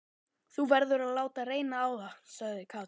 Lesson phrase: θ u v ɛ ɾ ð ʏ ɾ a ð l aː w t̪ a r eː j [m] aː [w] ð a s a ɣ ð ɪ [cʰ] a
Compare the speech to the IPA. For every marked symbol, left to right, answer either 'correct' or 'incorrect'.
incorrect: n, correct, incorrect: kʰ

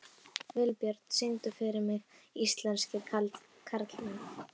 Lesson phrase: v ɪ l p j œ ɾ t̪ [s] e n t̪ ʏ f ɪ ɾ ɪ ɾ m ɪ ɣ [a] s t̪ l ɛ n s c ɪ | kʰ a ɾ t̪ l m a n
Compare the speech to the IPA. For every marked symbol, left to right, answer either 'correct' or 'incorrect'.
correct, incorrect: i

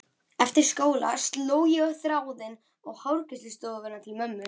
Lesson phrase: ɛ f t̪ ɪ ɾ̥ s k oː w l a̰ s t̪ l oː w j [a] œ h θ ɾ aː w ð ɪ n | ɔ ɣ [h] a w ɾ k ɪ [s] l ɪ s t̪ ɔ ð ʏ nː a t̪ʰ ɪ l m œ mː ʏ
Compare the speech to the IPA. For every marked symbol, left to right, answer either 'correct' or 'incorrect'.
incorrect: ɛ, correct, correct

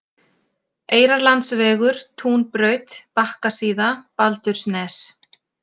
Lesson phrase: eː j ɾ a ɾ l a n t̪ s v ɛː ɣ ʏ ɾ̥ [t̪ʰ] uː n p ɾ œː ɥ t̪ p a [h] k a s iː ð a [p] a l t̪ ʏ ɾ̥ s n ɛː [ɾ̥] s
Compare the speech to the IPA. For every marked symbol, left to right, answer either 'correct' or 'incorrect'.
correct, correct, correct, incorrect: none

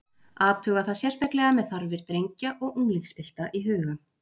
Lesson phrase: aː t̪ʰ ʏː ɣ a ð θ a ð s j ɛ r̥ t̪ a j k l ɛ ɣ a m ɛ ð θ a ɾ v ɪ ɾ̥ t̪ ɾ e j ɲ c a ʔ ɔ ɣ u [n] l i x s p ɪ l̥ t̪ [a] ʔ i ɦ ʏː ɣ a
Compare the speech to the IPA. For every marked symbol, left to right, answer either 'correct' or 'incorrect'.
incorrect: ŋ, correct

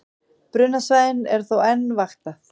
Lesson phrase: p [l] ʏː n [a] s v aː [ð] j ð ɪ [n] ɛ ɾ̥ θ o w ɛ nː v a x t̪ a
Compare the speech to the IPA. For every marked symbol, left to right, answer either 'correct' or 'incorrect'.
incorrect: ɾ, correct, incorrect: none, correct

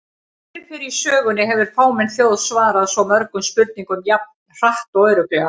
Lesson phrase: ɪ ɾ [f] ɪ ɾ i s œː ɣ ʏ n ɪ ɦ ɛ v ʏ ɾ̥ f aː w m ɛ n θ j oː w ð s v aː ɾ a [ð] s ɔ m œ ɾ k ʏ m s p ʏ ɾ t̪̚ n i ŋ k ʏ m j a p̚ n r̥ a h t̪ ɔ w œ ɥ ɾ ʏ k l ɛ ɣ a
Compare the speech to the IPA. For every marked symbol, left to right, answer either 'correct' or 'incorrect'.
correct, correct

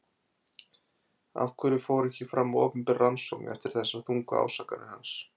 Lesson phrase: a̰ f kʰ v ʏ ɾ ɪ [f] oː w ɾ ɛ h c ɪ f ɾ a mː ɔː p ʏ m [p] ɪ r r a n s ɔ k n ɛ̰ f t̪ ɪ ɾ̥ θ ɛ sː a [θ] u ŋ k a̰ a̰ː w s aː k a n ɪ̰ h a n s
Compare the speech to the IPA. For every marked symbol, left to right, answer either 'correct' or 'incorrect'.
correct, correct, correct

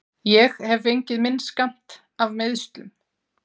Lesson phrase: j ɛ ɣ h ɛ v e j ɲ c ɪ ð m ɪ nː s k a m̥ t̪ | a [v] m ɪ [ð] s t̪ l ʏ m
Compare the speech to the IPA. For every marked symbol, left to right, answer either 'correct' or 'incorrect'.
correct, correct

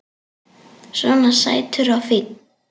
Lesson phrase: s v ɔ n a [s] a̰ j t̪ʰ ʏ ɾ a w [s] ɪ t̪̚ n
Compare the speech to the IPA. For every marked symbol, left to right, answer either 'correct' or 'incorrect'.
correct, incorrect: f

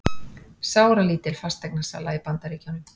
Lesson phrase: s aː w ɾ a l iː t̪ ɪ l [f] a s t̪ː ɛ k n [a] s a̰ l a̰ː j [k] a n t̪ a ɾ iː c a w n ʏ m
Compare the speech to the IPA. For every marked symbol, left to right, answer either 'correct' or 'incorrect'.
correct, correct, incorrect: p

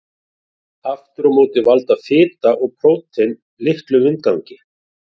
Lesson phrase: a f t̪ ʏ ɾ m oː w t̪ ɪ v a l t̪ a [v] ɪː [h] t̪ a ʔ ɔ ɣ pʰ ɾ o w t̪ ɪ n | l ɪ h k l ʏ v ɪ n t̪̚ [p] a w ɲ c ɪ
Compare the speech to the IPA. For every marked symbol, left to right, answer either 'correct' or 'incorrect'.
incorrect: f, incorrect: none, incorrect: k

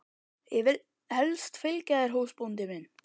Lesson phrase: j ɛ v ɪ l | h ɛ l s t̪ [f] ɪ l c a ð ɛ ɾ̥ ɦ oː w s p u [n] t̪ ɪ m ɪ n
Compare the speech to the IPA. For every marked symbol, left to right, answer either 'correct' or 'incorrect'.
correct, correct

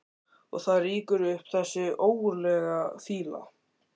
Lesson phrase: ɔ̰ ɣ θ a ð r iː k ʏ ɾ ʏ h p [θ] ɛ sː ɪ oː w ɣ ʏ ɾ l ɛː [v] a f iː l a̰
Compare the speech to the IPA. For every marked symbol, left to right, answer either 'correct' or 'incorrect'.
correct, incorrect: ɣ

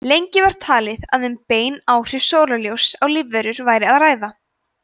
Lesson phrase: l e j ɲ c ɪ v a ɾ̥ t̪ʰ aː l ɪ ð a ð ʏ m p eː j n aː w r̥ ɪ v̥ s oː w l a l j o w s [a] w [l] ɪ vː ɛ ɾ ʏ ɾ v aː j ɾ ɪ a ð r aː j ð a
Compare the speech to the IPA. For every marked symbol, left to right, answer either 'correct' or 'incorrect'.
correct, correct

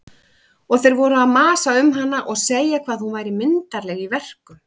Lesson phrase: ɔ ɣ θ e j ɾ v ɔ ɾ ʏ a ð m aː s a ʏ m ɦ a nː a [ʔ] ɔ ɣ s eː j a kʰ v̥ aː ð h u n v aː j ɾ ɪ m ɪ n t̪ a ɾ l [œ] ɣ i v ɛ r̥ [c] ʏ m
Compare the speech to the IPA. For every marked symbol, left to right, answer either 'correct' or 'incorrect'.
correct, incorrect: ɛ, incorrect: k

